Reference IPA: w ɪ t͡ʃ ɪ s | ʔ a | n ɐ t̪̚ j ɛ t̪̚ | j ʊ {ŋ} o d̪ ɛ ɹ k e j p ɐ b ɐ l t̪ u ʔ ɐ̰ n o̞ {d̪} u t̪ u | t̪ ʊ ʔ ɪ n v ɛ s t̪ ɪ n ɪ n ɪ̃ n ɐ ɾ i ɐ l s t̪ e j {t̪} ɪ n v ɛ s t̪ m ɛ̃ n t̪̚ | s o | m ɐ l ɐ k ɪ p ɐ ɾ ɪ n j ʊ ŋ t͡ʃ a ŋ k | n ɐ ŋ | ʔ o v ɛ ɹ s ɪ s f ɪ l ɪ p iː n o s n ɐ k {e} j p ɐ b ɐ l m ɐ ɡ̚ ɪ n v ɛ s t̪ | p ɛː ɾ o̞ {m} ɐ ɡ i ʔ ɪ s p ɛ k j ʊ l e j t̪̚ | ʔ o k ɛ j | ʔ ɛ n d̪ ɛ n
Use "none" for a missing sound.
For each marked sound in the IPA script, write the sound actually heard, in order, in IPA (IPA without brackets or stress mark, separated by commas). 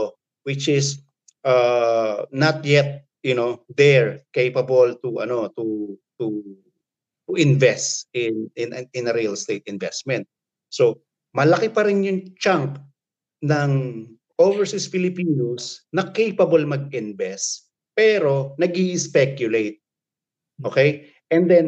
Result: n, t̪, t̪, e, n